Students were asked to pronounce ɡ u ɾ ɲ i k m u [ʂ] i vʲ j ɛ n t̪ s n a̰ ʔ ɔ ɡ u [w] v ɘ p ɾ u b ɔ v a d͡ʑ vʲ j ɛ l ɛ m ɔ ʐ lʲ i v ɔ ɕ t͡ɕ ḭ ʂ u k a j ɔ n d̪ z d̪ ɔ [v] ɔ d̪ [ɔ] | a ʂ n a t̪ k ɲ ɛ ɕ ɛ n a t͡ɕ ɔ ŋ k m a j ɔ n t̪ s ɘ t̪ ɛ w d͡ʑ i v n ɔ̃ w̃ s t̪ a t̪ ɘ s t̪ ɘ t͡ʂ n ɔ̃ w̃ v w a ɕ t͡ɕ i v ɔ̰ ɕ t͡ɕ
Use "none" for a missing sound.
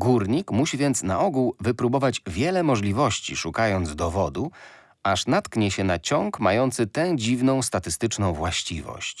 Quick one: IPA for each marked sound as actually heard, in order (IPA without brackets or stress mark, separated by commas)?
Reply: ɕ, w, v, u